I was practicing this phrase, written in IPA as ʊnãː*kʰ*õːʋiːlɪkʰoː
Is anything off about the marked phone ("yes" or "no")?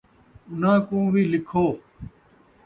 yes